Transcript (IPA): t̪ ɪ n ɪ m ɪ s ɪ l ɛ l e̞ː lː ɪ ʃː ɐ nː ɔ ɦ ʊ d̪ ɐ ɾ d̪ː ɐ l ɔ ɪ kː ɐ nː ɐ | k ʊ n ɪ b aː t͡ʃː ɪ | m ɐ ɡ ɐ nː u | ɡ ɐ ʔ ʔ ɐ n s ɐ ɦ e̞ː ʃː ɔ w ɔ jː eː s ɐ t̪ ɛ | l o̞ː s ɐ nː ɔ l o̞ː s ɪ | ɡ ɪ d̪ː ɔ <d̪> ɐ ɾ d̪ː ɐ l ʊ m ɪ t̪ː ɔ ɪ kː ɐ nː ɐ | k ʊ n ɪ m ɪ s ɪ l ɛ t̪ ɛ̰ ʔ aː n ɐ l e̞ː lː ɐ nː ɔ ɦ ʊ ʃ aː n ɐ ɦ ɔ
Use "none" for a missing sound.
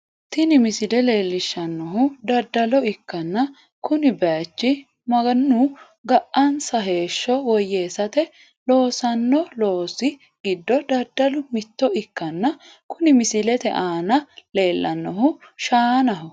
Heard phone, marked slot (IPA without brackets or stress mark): d̪